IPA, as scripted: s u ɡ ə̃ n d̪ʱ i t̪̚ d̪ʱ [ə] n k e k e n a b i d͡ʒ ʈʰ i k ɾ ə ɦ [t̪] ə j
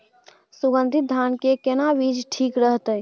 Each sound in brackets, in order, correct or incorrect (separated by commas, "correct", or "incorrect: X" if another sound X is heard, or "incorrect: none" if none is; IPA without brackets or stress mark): incorrect: a, correct